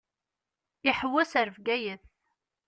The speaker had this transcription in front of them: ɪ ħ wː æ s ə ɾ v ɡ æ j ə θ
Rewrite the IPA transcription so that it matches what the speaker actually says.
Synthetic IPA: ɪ ħ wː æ s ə ɾ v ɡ æ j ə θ